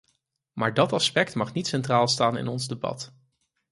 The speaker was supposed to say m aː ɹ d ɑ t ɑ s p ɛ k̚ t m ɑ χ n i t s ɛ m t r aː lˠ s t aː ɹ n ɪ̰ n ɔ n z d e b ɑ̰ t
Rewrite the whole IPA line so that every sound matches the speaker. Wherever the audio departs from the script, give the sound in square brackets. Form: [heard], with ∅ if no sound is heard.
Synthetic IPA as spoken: m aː ɹ d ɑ t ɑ s p ɛ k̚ t m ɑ χ n i t s ɛ [n] t r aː lˠ s t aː [∅] n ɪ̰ n ɔ n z d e b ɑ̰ t